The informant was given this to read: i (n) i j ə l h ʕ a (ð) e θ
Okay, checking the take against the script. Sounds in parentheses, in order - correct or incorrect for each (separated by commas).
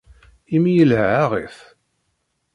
incorrect, incorrect